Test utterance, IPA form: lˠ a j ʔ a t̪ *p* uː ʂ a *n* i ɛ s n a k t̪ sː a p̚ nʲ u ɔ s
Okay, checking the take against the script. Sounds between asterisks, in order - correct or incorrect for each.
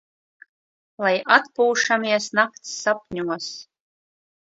correct, incorrect: m

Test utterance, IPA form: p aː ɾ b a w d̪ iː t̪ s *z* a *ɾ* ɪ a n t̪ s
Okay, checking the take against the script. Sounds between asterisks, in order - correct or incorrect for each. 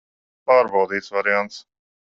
incorrect: v, correct

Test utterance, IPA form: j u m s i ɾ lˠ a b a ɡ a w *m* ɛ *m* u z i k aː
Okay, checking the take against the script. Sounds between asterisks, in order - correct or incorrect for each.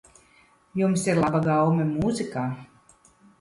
correct, correct

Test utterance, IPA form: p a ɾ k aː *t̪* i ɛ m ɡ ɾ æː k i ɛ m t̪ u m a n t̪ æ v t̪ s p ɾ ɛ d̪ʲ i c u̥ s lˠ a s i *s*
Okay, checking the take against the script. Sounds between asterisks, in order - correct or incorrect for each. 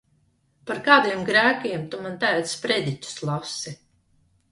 incorrect: d̪, incorrect: none

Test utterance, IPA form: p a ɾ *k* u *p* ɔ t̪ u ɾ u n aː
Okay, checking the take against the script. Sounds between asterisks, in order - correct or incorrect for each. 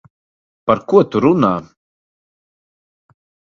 correct, incorrect: none

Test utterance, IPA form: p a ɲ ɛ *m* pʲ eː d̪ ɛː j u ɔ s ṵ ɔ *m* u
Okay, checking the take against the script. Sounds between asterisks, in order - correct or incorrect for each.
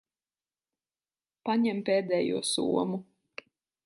correct, correct

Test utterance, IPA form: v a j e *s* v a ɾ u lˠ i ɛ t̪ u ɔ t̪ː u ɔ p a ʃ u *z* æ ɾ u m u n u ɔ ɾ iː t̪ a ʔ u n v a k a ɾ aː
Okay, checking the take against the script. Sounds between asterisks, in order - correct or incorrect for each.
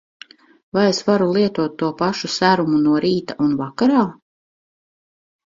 correct, incorrect: s

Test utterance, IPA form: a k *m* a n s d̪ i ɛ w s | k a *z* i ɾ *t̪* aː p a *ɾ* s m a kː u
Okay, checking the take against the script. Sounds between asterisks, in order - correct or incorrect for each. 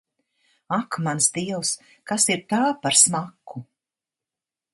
correct, incorrect: s, correct, correct

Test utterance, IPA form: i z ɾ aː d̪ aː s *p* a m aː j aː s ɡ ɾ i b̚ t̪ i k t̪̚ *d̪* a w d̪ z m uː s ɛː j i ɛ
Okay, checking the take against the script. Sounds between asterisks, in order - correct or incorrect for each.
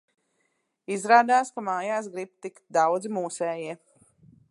incorrect: k, correct

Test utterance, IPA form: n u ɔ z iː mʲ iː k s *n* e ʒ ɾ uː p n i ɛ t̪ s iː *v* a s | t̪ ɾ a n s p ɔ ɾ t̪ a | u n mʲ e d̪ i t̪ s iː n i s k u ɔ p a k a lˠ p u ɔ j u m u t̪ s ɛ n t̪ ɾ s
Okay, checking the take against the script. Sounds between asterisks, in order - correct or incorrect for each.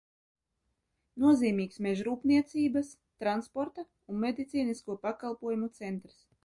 incorrect: m, incorrect: b

